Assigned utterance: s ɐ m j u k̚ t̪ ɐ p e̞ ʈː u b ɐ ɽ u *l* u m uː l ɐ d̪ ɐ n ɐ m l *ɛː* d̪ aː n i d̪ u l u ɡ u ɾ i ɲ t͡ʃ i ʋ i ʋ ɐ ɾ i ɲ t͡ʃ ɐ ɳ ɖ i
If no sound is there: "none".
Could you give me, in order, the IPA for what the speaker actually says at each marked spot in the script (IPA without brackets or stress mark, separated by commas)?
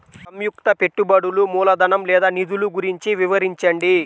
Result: l, ɛː